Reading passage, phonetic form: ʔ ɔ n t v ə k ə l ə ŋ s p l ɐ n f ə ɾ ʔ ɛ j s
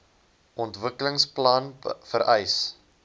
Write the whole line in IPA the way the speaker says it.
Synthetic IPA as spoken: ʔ ɔ n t v ə k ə l ə ŋ s p l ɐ n f ə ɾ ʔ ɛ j s